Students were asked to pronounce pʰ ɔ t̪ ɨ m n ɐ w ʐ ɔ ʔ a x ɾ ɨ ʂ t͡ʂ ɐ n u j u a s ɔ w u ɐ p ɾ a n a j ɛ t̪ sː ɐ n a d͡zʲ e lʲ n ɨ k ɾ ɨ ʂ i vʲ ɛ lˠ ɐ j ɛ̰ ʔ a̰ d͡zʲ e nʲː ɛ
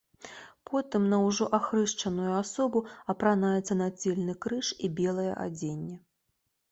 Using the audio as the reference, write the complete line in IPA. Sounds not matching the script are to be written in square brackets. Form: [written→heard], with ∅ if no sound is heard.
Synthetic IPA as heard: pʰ ɔ t̪ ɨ m n ɐ w ʐ ɔ ʔ a x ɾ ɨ ʂ t͡ʂ ɐ n u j u a s ɔ [w→b] u ɐ p ɾ a n a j ɛ t̪ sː ɐ n a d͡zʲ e lʲ n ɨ k ɾ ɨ ʂ i [vʲ→bʲ] ɛ lˠ ɐ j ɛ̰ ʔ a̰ d͡zʲ e nʲː ɛ